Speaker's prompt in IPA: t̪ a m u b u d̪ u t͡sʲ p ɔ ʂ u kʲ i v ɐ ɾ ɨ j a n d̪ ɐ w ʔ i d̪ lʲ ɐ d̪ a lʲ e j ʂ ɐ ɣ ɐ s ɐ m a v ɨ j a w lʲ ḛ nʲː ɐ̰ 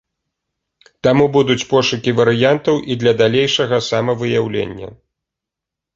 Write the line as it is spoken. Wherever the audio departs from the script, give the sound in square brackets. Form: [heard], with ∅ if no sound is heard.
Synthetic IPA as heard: t̪ a m u b u d̪ u t͡sʲ p ɔ ʂ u kʲ i v ɐ ɾ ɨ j a n [t̪] ɐ w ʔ i d̪ lʲ ɐ d̪ a lʲ e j ʂ ɐ ɣ ɐ s [a] m [ɐ] v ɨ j a w lʲ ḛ nʲː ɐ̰